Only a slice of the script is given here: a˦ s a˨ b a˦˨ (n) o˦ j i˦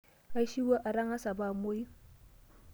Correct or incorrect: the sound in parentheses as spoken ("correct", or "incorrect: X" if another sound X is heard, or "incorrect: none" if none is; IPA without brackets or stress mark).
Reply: incorrect: m